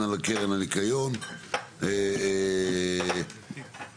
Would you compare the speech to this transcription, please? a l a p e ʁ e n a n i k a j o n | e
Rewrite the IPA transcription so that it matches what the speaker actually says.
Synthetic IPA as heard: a l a k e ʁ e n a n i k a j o n | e